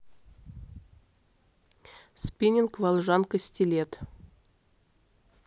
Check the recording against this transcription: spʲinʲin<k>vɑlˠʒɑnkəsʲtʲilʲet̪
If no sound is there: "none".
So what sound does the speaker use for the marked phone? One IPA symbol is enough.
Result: k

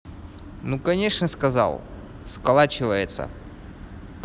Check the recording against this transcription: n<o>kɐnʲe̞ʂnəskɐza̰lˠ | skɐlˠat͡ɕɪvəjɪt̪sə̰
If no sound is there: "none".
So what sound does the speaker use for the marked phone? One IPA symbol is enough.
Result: u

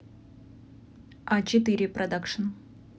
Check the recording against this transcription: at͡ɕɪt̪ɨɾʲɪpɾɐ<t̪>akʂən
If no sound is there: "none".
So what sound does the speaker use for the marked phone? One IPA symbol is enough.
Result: d̪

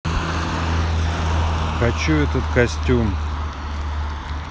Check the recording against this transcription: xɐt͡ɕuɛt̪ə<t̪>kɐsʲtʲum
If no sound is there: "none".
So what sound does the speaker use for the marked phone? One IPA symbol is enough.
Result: t̪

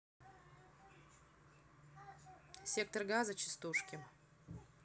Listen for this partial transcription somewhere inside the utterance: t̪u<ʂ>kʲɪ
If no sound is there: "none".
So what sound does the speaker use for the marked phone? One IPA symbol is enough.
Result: ʂ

